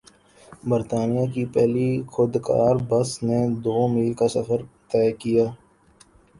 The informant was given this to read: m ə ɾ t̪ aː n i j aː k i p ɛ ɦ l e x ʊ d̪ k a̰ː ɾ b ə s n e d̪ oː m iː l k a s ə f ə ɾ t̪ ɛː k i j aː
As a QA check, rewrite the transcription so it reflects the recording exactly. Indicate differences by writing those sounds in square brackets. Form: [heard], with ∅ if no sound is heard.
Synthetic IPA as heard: [b] ə ɾ t̪ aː n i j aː k i p ɛ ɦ l [i] x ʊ d̪ k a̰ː ɾ b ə s n e d̪ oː m iː l k a s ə f ə ɾ t̪ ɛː k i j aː